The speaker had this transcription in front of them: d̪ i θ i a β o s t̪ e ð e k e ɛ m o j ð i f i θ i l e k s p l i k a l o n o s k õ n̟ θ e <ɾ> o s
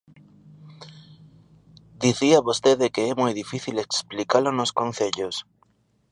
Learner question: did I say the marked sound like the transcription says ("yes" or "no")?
no